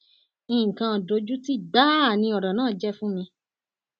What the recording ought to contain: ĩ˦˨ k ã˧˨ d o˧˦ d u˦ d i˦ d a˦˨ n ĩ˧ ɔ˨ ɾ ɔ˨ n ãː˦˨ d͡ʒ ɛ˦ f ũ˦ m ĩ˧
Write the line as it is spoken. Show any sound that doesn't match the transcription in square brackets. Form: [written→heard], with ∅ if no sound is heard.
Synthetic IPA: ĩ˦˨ k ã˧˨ d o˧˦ [d→d͡ʒ] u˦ [d→t] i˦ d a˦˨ n ĩ˧ ɔ˨ ɾ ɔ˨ n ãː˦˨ d͡ʒ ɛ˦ f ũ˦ m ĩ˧